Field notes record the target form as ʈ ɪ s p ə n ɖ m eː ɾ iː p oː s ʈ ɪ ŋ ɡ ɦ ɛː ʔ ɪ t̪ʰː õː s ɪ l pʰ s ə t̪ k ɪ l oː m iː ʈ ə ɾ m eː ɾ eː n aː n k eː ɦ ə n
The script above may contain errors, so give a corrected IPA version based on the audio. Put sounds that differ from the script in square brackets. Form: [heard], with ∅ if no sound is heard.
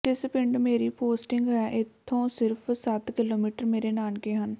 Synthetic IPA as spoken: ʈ ɪ s p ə [ɳ] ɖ m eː ɾ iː p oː s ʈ ɪ ŋ ɡ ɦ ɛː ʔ ɪ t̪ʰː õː s ɪ [ɾ] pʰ s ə t̪ k ɪ l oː m iː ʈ ə ɾ m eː ɾ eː n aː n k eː ɦ ə n

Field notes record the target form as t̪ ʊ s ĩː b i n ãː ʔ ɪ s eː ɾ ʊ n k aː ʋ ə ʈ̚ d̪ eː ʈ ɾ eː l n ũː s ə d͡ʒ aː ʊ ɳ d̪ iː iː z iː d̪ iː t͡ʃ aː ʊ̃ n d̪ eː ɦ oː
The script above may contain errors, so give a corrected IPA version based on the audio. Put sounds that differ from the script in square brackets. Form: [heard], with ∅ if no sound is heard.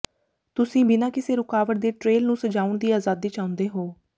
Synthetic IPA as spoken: t̪ ʊ s ĩː b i n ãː [k] ɪ s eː ɾ ʊ [∅] k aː ʋ ə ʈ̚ d̪ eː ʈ ɾ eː l n ũː s ə d͡ʒ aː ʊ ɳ d̪ iː [aː] z [aː] d̪ iː t͡ʃ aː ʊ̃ n d̪ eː ɦ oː

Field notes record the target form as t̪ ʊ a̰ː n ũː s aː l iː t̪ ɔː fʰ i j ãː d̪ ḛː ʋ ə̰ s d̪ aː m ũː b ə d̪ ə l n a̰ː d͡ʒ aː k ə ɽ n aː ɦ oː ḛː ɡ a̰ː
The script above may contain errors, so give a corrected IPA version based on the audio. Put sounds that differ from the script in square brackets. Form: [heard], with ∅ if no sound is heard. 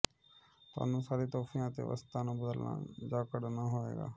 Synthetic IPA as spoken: t̪ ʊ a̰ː n ũː s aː [ɾ] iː t̪ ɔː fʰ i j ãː [t̪] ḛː ʋ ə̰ s [t̪] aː [n] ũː b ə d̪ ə l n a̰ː d͡ʒ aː k ə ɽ n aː ɦ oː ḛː ɡ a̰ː

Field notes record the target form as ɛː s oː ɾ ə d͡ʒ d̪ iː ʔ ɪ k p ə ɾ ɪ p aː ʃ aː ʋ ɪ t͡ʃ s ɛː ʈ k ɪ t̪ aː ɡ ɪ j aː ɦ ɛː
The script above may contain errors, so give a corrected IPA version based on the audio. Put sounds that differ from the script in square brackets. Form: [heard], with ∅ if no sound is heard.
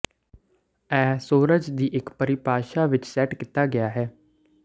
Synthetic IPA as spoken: ɛː s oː ɾ ə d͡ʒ d̪ iː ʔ ɪ k p ə ɾ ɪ p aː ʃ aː ʋ ɪ t͡ʃ s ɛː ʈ k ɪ t̪ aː ɡ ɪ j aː ɦ ɛː

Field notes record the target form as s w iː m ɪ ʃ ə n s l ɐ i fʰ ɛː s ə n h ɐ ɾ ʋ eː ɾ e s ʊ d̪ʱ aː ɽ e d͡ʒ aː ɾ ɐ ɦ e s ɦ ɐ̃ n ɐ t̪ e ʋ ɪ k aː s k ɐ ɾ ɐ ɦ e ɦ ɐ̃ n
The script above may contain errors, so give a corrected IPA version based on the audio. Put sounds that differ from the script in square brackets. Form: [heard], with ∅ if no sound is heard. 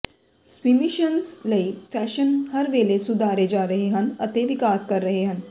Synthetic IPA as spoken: s w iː m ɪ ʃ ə n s l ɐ i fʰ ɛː [ʃ] ə n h ɐ ɾ ʋ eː [l] e s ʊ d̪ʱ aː [ɾ] e d͡ʒ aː ɾ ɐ ɦ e [∅] ɦ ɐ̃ n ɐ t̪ e ʋ ɪ k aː s k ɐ [ɾː] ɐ ɦ e ɦ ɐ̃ n

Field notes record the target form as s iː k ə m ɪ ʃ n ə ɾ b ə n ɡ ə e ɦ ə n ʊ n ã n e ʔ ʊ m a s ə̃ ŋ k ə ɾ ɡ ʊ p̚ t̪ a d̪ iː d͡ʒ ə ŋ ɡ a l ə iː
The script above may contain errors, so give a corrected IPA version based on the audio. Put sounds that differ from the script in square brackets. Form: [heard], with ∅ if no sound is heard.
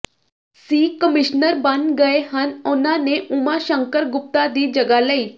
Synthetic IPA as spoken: s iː k ə m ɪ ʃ n ə ɾ b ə n ɡ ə e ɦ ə n ʊ n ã n e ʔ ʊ m a [ʃ] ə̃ ŋ k ə ɾ ɡ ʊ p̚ t̪ a d̪ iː d͡ʒ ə [∅] ɡ a l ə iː

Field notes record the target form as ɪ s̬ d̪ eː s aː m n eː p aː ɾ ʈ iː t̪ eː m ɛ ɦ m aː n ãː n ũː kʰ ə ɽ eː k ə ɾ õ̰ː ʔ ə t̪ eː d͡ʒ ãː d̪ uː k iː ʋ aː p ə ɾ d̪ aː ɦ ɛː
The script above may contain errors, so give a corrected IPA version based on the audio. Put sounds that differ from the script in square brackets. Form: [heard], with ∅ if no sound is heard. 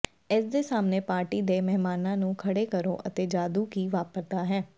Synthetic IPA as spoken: ɪ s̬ d̪ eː s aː m n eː p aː ɾ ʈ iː [d̪] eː m ɛ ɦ m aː n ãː n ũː kʰ ə ɽ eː k ə ɾ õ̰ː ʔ ə t̪ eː d͡ʒ [aː] d̪ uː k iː ʋ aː p ə ɾ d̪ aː ɦ ɛː

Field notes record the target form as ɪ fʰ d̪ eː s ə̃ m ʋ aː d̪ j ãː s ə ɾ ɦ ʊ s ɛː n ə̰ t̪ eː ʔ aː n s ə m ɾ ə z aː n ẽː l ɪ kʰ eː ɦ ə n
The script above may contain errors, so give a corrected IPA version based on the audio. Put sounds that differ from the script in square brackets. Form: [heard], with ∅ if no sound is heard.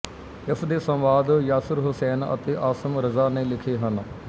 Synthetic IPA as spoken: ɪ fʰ d̪ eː s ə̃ m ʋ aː d̪ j [aː] s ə ɾ ɦ ʊ s ɛː n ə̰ t̪ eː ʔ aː [∅] s ə m ɾ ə z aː n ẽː l ɪ kʰ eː ɦ ə n

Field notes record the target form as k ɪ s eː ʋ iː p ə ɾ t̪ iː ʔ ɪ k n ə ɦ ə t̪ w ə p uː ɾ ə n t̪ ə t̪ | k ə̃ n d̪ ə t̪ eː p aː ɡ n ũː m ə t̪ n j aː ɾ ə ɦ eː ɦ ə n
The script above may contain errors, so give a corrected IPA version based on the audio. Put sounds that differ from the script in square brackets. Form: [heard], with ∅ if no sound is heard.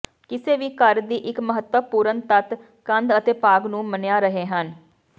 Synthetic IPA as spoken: k ɪ s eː ʋ iː [k] ə ɾ [d̪] iː ʔ ɪ k [m] ə ɦ ə t̪ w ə p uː ɾ ə n t̪ ə t̪ | k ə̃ n d̪ ə t̪ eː p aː ɡ n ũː m ə [∅] n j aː ɾ ə ɦ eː ɦ ə n

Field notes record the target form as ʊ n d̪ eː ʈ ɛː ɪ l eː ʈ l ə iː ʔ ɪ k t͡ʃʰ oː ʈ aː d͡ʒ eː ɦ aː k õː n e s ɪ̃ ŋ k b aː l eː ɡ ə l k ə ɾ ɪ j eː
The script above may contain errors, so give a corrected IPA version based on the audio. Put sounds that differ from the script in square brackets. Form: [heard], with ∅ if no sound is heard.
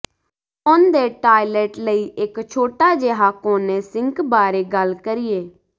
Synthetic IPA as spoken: ʊ n d̪ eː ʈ [aː] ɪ l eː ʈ l ə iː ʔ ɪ k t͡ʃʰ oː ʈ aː d͡ʒ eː ɦ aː k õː n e s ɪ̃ ŋ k b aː [ɾ] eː ɡ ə l k ə ɾ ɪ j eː

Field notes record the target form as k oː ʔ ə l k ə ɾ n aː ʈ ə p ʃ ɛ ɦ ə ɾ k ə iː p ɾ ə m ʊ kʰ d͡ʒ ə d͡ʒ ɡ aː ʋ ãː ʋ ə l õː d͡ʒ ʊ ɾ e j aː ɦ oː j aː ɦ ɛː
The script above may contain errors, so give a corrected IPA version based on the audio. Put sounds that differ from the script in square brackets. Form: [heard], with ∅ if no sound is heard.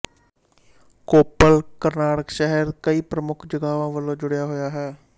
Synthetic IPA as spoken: k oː [p] ə l k ə ɾ n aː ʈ ə [k] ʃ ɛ ɦ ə ɾ k ə iː p ɾ ə m ʊ kʰ d͡ʒ ə [∅] ɡ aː ʋ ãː ʋ ə l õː d͡ʒ ʊ [ɽ] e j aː ɦ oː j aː ɦ ɛː

